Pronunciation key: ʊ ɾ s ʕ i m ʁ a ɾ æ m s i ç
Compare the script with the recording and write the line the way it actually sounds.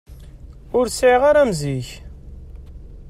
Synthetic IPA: ʊ ɾ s ʕ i ʁ a ɾ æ m z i ç